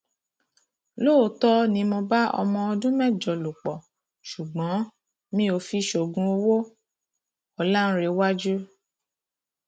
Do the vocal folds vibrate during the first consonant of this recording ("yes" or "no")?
yes